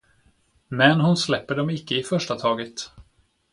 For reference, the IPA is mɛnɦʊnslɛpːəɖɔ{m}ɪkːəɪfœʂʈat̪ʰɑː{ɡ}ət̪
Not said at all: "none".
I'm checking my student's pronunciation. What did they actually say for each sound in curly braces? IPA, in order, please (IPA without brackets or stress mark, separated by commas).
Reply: m, ɡ